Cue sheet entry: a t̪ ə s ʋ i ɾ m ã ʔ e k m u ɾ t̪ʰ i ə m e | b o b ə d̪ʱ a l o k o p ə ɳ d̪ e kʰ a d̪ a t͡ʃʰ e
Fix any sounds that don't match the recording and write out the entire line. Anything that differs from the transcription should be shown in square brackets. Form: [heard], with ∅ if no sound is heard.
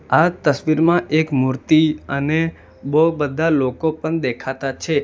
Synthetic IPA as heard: a t̪ ə s ʋ i ɾ m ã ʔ e k m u ɾ [t̪] i ə [n] e | b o b ə d̪ʱ a l o k o p ə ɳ d̪ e kʰ a [t̪] a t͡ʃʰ e